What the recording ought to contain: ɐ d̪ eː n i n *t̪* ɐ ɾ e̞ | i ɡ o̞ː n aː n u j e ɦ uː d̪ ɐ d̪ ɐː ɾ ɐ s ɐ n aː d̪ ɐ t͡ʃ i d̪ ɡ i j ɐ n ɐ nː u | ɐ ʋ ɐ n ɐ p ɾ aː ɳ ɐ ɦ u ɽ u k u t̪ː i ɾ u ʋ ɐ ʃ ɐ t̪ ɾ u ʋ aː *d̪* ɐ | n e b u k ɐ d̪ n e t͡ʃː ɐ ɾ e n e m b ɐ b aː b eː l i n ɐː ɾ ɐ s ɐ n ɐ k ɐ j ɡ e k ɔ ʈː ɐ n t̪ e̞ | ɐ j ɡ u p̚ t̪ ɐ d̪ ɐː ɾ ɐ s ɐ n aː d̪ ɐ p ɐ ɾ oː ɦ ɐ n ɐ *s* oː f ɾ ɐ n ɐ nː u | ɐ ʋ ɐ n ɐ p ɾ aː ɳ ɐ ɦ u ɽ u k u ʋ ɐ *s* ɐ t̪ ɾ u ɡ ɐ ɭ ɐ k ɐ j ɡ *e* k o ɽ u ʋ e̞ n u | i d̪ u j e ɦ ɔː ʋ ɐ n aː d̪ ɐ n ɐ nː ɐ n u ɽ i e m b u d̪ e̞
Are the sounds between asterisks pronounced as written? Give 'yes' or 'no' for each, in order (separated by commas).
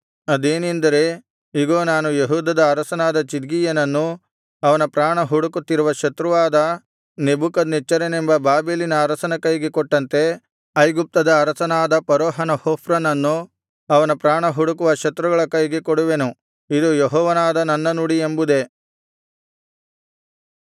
no, yes, no, no, yes